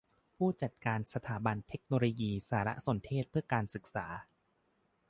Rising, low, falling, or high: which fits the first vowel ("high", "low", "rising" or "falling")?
falling